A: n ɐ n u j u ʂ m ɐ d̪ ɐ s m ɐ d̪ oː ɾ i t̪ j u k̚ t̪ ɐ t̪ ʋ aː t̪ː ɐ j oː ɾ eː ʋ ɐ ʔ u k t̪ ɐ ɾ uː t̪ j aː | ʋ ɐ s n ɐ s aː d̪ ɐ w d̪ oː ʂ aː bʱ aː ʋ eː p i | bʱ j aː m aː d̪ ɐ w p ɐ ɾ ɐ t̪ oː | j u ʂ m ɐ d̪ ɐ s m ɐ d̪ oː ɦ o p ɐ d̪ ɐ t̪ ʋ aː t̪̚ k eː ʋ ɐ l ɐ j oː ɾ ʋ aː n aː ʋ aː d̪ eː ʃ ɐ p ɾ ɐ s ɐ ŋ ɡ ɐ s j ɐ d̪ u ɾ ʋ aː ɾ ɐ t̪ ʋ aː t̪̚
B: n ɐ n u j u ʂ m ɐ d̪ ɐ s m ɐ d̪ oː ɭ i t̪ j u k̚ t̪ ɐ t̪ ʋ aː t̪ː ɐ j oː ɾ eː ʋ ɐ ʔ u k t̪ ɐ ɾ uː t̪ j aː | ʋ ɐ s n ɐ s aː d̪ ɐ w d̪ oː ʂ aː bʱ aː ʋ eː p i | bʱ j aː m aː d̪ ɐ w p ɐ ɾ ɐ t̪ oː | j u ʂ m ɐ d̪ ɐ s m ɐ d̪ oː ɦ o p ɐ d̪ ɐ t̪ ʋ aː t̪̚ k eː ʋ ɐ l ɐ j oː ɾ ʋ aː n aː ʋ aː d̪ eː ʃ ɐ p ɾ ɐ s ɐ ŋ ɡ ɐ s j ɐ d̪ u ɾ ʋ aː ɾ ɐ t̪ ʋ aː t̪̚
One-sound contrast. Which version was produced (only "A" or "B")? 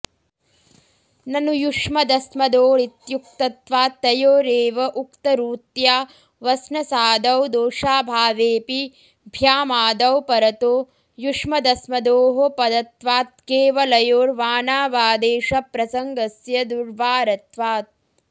B